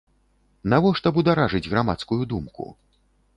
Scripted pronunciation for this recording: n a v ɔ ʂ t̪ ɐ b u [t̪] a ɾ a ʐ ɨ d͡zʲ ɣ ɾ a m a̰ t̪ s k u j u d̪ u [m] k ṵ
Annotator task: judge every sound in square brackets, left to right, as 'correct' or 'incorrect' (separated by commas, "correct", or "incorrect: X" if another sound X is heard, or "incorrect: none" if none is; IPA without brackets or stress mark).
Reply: incorrect: d̪, correct